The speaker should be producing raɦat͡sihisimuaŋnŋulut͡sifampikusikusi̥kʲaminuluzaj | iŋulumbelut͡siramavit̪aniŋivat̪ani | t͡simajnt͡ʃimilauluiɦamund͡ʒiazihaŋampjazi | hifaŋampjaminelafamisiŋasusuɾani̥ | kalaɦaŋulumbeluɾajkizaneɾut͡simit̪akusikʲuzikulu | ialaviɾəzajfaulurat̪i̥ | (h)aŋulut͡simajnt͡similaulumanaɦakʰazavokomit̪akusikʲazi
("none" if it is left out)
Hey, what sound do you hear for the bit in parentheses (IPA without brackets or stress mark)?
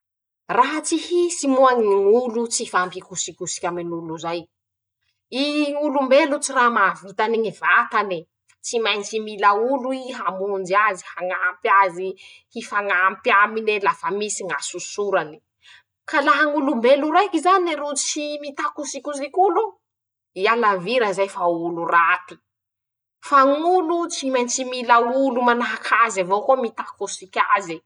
f